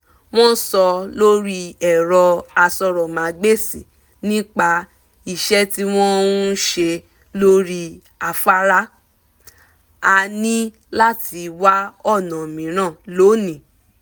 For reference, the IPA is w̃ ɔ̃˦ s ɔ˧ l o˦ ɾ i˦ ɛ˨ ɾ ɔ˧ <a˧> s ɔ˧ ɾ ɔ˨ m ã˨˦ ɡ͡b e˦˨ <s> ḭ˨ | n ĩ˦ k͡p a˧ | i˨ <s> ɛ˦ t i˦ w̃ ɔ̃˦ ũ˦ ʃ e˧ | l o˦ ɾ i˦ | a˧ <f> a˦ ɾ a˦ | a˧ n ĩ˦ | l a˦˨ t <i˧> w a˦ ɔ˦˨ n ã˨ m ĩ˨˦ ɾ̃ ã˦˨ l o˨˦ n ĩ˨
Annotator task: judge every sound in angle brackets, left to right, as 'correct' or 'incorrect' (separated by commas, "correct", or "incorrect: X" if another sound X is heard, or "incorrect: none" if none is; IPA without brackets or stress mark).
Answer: correct, correct, incorrect: ʃ, correct, correct